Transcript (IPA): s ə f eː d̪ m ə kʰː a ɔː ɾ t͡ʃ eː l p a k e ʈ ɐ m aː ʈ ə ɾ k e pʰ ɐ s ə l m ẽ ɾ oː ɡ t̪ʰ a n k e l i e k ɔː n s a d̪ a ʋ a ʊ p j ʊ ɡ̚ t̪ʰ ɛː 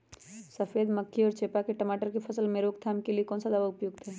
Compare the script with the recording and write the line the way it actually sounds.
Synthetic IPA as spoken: s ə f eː d̪ m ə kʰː i ɔː ɾ t͡ʃ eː p a k e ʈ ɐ m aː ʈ ə ɾ k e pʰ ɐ s ə l m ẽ ɾ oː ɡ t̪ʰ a m k e l i e k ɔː n s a d̪ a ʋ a ʊ p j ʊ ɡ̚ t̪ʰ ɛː

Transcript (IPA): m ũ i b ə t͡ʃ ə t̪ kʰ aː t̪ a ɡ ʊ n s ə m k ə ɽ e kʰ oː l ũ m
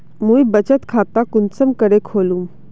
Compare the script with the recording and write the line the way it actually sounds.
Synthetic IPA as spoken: m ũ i b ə t͡ʃ ə t̪ kʰ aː t̪ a k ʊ n s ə m k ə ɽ e kʰ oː l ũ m

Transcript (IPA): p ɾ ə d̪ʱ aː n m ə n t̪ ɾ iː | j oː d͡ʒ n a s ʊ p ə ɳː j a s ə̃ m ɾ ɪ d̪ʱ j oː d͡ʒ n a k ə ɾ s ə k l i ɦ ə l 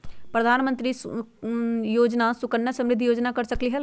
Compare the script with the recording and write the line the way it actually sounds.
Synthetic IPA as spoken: p ɾ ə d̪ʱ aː n m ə n t̪ ɾ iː | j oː d͡ʒ n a s ʊ k ə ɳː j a s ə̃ m ɾ ɪ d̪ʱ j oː d͡ʒ n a k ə ɾ s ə k l i ɦ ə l

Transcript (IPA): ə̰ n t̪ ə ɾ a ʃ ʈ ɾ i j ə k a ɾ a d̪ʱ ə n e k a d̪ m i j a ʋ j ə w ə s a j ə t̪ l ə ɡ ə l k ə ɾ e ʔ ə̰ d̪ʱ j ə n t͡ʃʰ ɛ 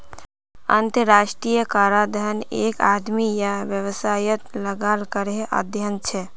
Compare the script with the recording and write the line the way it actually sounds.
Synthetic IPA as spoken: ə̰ n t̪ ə ɾ a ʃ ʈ ɾ i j ə k a ɾ a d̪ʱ ə n e k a d̪ m i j a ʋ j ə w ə s a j ə t̪ l ə ɡ a l k ə ɾ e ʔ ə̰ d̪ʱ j ə n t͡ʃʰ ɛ

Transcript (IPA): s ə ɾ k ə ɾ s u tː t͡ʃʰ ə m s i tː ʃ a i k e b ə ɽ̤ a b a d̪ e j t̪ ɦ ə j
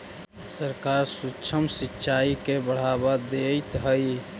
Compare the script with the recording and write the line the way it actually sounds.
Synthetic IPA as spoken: s ə ɾ k a ɾ s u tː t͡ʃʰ ə m s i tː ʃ a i k e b ə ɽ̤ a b a d̪ e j t̪ ɦ ə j

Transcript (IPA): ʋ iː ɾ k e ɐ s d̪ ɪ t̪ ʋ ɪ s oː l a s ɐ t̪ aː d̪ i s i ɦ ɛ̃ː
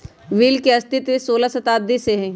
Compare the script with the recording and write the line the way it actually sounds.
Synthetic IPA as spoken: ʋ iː l k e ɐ s t̪ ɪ t̪ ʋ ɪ s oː l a s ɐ t̪ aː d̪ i s e ɦ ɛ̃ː

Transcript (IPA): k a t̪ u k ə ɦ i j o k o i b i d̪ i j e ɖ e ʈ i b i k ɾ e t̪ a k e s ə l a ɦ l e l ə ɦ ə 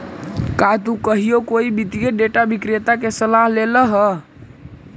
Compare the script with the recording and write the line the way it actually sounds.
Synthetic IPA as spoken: k a t̪ u k ə ɦ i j o k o i b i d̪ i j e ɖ e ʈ a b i k ɾ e t̪ a k e s ə l a ɦ l e l ə ɦ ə

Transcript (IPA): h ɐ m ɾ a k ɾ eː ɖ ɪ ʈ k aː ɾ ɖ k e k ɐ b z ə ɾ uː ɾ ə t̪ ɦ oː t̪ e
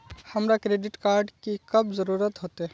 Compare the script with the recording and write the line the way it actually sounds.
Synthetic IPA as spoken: h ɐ m ɾ a k ɾ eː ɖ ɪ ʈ k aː ɾ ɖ k i k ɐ b z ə ɾ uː ɾ ə t̪ ɦ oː t̪ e

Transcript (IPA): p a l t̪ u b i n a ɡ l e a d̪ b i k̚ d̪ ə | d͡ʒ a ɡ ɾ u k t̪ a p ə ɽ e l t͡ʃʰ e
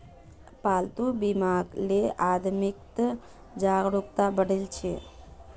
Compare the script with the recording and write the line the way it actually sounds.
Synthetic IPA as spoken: p a l t̪ u b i m a ɡ l e a d̪ m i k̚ t̪ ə | d͡ʒ a ɡ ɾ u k t̪ a b ə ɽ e l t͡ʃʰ e

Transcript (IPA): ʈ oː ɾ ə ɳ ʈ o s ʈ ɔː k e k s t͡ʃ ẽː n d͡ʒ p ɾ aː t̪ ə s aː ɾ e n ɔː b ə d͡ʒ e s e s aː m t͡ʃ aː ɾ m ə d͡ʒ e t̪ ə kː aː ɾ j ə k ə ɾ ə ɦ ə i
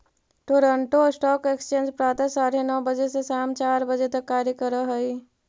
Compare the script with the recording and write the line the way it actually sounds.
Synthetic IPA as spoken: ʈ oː ɾ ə ɳ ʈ o s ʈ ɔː k e k s t͡ʃ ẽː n d͡ʒ p ɾ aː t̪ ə s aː ɾ e n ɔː b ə d͡ʒ e s e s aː m t͡ʃ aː ɾ b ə d͡ʒ e t̪ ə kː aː ɾ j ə k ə ɾ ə ɦ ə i

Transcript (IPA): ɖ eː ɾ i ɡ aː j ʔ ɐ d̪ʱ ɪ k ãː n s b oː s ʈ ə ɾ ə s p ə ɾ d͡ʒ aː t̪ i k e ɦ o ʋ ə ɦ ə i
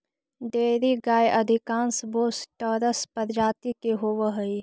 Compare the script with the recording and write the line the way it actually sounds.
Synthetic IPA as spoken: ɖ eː ɾ i ɡ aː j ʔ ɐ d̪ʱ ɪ k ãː n s b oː s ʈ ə ɾ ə s p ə ɾ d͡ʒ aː t̪ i k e ɦ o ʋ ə ɦ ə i

